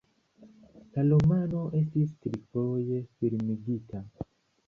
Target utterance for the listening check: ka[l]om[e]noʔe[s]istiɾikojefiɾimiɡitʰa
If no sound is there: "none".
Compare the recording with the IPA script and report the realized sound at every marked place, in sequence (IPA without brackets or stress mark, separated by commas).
l, a, s